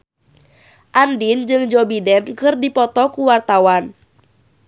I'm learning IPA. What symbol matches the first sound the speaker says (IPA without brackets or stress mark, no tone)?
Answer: ʔ